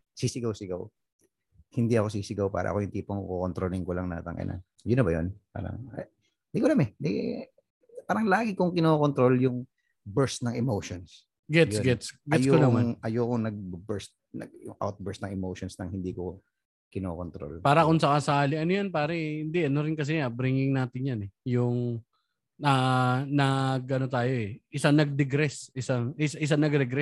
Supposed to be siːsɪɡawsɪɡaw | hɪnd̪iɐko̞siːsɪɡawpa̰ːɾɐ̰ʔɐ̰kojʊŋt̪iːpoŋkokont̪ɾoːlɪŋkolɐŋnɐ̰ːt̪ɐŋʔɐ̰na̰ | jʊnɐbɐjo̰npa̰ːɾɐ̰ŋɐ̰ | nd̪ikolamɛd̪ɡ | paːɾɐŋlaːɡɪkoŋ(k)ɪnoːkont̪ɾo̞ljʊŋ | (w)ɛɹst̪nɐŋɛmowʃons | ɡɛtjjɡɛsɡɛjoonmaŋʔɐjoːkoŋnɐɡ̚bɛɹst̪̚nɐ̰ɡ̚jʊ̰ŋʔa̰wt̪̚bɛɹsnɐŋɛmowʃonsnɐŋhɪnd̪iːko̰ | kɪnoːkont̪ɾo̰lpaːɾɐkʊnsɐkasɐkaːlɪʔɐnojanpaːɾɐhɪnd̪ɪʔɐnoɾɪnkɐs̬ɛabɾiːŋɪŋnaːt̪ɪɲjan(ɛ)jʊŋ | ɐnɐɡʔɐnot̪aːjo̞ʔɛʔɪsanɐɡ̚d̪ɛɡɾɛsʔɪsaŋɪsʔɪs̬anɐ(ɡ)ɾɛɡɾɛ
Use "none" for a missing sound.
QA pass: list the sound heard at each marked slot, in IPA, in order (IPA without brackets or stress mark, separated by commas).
k, b, ɛ, ɡ